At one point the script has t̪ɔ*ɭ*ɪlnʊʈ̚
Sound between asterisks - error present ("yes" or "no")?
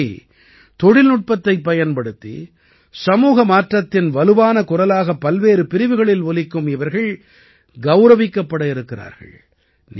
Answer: yes